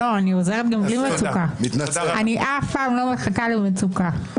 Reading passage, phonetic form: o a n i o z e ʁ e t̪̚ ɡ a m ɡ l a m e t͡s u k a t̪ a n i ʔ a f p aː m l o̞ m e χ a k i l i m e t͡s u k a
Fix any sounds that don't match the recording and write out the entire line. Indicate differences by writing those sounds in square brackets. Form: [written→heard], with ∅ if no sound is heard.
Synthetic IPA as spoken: o a n i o z e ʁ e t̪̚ ɡ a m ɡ l [a→i] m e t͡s u k a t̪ a n i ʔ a f p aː m l o̞ m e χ a k [i→a] l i m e t͡s u k a